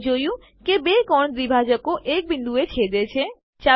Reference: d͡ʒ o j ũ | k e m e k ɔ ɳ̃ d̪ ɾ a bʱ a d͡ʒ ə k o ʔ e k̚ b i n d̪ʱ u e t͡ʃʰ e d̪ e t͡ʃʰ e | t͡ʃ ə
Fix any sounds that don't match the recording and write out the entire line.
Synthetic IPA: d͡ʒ o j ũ | k e b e k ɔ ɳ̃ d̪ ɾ i bʱ a d͡ʒ ə k o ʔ e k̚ b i n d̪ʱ u e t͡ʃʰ e d̪ e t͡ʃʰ e | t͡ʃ a